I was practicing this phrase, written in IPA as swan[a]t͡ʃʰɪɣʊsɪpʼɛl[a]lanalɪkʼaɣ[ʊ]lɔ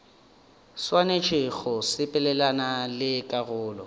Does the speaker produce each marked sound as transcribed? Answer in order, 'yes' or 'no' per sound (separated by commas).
no, no, no